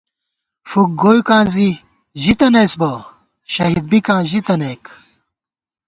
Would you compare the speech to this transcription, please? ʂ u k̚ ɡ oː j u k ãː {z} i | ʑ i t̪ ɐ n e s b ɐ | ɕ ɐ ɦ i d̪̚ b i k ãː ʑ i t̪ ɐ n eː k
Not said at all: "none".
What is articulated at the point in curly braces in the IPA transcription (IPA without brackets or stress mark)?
z